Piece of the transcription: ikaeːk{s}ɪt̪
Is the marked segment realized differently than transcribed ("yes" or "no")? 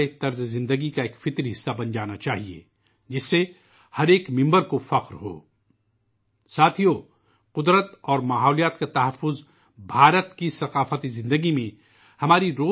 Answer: yes